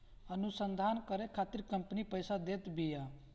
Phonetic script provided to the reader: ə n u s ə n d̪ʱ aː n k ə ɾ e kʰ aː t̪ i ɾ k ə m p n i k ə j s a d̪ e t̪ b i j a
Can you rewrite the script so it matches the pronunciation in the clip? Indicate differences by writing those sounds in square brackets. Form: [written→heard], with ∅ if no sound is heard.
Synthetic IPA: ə n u s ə n d̪ʱ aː n k ə ɾ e kʰ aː t̪ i ɾ k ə m p n i [k→p] ə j s a d̪ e t̪ b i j a